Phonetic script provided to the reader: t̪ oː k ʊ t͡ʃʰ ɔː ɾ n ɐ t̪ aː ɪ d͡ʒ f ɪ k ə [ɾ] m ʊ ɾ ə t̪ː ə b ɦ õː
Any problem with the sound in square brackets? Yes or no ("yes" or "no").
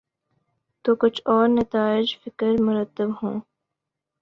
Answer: no